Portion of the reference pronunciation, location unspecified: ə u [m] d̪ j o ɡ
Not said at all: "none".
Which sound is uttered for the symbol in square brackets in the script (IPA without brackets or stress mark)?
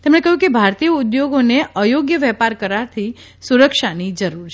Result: none